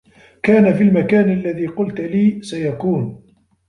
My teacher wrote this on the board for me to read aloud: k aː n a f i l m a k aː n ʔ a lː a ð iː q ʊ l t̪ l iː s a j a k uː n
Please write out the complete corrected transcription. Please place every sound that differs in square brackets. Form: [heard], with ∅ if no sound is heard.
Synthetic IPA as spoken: k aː n a f i l m a k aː n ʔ a lː a ð iː q ʊ l t̪ l iː s a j a k uː n